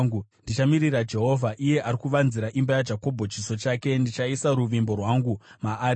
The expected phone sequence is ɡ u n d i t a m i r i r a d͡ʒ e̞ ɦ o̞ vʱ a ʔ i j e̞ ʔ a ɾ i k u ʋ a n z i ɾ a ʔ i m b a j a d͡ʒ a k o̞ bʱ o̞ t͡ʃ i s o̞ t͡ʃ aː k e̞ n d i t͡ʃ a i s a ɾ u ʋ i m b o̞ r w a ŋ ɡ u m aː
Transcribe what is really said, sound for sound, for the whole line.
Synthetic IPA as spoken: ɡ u n d i t͡ʃ a m i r i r a d͡ʒ e̞ ɦ o̞ vʱ a ʔ i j e̞ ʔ a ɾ i k u ʋ a n z i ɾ a ʔ i m b a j a d͡ʒ a k o̞ bʱ o̞ t͡ʃ i s o̞ t͡ʃ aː k e̞ n d i t͡ʃ a i s a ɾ u ʋ i m b o̞ r w a ŋ ɡ u m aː